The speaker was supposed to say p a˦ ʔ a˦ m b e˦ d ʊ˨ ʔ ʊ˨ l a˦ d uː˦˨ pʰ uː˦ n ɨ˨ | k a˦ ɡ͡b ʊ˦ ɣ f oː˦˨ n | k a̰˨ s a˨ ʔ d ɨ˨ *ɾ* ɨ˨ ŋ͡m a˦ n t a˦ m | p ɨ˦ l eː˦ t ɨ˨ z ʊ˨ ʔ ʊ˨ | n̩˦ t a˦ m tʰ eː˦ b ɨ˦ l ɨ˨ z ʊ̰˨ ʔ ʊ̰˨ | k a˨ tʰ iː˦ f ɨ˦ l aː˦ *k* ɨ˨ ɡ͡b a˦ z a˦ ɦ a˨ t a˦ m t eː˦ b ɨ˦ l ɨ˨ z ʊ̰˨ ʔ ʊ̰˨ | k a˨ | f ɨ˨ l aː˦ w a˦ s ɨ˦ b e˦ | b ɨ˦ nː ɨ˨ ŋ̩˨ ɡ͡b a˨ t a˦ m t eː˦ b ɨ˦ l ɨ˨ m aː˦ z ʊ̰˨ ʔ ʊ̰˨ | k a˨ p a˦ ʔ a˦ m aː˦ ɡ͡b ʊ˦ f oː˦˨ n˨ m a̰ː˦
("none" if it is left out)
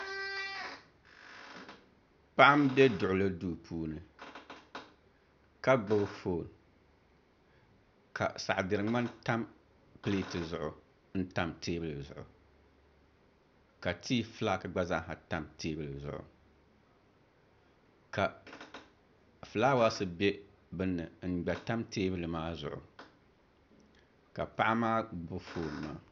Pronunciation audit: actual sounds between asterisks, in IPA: ɾ, k

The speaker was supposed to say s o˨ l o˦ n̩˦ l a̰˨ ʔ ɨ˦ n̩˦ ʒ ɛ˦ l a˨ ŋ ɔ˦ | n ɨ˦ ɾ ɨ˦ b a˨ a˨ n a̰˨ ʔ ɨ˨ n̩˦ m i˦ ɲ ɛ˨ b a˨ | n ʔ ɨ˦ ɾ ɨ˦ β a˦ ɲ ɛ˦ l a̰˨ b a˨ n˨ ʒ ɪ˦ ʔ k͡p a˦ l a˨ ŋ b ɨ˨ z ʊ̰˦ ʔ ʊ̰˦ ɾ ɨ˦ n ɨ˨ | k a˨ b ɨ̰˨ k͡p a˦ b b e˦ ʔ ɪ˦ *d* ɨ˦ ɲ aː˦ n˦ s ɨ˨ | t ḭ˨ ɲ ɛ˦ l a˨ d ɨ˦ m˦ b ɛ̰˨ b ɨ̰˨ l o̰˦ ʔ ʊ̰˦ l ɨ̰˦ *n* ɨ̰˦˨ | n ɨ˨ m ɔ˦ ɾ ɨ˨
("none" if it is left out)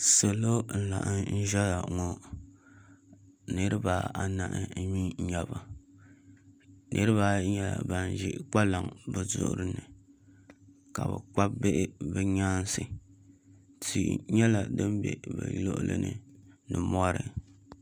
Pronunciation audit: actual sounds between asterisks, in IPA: b, n

